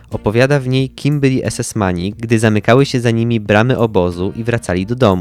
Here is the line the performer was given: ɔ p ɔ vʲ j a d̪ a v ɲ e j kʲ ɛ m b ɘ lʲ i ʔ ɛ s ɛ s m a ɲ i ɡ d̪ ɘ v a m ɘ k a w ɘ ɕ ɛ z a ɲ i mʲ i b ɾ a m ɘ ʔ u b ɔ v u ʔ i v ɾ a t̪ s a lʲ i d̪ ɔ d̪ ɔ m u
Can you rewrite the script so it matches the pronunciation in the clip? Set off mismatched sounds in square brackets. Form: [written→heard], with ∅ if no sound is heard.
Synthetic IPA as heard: ɔ p ɔ vʲ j a d̪ a v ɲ e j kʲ [ɛ→i] m b ɘ lʲ i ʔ ɛ s ɛ s m a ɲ i ɡ d̪ ɘ [v→z] a m ɘ k a w ɘ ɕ ɛ z a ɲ i mʲ i b ɾ a m ɘ ʔ [u→ɔ] b ɔ [v→z] u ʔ i v ɾ a t̪ s a lʲ i d̪ ɔ d̪ ɔ m u